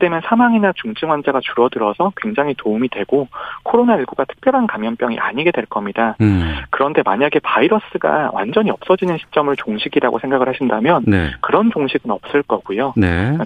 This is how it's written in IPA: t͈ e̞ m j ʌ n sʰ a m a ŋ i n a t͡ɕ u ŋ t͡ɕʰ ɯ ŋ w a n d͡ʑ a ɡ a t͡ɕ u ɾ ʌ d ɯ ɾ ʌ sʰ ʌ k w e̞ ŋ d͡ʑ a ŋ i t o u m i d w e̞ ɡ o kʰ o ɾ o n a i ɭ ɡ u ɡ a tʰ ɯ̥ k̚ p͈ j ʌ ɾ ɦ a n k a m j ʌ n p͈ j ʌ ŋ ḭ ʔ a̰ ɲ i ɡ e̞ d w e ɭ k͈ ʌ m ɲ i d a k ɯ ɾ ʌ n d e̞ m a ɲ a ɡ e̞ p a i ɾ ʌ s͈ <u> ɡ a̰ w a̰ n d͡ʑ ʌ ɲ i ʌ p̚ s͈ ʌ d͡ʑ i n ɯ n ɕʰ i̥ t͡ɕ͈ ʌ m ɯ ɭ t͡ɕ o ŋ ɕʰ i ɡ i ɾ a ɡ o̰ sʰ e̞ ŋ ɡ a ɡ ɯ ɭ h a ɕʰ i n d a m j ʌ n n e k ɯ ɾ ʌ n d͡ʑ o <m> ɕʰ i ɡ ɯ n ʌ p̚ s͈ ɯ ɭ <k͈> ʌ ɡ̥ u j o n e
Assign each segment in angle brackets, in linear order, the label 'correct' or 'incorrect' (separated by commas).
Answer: incorrect, incorrect, correct